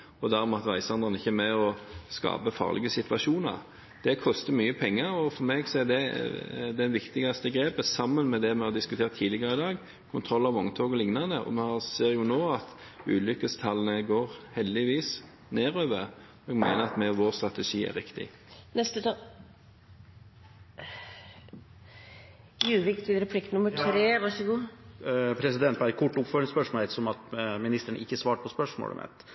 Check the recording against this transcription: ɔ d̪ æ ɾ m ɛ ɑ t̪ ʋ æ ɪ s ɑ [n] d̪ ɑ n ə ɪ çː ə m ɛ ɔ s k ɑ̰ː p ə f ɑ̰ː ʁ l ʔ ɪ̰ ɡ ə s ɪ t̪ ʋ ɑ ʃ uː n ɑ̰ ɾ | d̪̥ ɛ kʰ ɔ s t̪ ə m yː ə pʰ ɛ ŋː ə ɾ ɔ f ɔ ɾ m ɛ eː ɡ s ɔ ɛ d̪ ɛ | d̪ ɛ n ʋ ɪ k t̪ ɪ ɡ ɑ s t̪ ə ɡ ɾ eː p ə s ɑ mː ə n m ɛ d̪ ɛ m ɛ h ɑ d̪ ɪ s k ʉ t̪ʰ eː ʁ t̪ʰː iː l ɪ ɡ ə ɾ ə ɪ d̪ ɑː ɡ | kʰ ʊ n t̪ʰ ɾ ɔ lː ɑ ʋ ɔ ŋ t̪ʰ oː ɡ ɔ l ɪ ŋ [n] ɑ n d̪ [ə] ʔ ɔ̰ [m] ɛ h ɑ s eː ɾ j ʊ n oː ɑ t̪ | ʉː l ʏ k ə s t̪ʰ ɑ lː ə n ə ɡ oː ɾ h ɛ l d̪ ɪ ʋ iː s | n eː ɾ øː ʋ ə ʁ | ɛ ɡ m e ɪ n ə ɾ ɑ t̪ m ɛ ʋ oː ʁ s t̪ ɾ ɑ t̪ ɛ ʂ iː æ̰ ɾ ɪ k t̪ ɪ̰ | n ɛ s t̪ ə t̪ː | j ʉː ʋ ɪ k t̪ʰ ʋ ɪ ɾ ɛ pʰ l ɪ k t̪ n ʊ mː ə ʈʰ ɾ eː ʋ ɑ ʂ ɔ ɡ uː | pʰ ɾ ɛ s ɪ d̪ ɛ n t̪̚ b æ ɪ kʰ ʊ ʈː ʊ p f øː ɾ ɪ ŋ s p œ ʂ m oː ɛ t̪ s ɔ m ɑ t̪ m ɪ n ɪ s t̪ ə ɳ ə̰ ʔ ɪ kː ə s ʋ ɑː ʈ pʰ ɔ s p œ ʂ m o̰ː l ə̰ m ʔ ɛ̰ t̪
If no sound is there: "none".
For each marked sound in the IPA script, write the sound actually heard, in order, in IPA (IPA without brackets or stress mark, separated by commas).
n, n, ə, m